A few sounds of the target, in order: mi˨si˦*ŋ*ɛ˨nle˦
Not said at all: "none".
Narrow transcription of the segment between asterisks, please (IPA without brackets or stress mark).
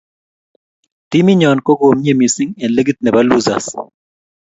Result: ŋ